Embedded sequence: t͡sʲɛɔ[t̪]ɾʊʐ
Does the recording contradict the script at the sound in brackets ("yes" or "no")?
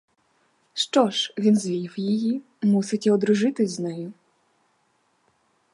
yes